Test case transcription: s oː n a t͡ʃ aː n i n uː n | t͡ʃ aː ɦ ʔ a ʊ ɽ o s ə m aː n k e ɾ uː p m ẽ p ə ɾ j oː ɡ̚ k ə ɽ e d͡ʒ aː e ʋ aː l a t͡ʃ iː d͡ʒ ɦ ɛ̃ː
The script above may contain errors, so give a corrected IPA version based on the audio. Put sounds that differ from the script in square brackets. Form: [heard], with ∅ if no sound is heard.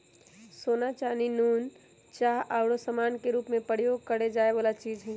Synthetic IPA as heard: s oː n a t͡ʃ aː n i n uː n | t͡ʃ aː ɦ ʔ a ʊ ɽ o s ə m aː n k e ɾ uː p m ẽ p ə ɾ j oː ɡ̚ k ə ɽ e d͡ʒ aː e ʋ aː l a t͡ʃ iː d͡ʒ ɦ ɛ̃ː